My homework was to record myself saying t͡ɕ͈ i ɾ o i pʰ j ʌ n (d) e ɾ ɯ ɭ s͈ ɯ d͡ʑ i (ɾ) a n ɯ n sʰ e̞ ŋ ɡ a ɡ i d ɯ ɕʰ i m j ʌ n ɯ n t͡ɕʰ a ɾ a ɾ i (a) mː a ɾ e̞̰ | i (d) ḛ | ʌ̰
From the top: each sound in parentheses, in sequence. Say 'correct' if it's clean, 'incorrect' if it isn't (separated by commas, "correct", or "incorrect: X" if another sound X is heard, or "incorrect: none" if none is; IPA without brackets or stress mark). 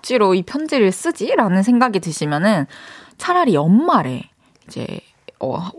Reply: incorrect: d͡ʑ, correct, incorrect: ʌ, incorrect: d͡ʑ